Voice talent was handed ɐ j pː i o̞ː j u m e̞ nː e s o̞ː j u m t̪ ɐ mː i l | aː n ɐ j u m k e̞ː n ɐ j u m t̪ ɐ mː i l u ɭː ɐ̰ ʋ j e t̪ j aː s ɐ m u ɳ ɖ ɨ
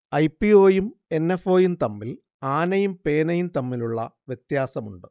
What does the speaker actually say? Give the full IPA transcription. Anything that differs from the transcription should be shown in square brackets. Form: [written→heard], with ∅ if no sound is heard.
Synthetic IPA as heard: ɐ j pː i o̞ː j u m e̞ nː e [s→f] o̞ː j u m t̪ ɐ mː i l | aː n ɐ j u m [k→p] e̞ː n ɐ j u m t̪ ɐ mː i l u ɭː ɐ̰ ʋ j e t̪ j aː s ɐ m u ɳ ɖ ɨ